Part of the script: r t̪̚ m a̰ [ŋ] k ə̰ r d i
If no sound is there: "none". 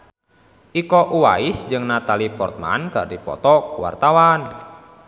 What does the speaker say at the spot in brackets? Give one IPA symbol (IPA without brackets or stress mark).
n